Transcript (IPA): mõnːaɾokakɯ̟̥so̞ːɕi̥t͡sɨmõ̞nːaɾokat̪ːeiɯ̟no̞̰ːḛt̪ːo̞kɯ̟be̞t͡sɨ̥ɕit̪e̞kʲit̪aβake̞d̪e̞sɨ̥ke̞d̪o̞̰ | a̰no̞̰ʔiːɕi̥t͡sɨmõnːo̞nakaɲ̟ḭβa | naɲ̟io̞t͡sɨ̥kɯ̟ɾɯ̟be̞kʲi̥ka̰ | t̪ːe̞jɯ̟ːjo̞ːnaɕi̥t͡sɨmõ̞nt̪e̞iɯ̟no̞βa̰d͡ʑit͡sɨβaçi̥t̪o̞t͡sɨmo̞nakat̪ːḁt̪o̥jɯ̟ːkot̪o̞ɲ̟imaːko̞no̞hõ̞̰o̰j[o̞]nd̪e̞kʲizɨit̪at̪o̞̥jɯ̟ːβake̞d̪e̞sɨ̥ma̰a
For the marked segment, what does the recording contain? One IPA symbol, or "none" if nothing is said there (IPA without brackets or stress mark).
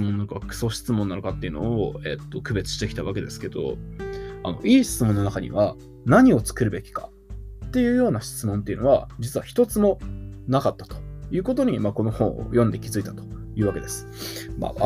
õ̞